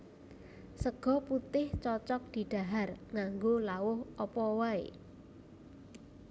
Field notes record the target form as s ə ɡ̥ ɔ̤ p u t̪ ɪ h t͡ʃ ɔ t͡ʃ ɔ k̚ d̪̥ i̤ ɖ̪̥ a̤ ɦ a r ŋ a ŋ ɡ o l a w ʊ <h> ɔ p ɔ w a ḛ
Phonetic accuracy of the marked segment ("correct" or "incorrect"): correct